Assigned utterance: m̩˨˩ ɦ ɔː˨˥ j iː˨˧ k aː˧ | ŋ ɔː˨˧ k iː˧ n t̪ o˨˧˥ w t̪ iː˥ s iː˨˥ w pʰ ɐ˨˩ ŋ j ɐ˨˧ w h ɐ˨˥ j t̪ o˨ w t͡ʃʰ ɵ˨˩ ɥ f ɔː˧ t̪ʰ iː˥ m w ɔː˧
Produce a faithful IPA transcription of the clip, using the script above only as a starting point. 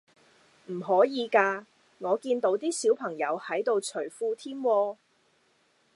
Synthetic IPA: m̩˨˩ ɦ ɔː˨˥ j iː˨˧ k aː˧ | ŋ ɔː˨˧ k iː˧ n t̪ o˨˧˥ w t̪ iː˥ s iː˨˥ w pʰ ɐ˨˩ ŋ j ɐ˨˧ w h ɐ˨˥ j t̪ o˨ w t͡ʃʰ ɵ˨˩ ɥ f uː˧ t̪ʰ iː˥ m w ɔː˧